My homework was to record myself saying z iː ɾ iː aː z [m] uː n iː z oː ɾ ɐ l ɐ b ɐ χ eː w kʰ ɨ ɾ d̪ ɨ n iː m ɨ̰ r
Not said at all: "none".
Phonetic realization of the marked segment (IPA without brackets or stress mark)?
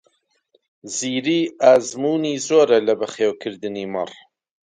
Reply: m